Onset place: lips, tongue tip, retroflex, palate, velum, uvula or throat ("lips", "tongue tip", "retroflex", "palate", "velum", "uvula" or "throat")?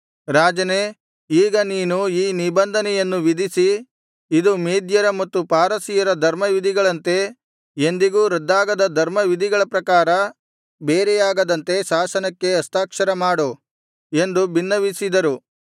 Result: tongue tip